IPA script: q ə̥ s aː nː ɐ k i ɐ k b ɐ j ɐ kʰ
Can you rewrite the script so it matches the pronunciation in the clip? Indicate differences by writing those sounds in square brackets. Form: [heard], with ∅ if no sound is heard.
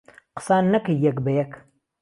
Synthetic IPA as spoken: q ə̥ s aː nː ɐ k [j] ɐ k b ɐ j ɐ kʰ